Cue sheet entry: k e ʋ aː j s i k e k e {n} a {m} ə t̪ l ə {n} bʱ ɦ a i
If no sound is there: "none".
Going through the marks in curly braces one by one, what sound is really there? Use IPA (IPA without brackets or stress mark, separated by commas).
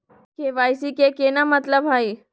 n, m, none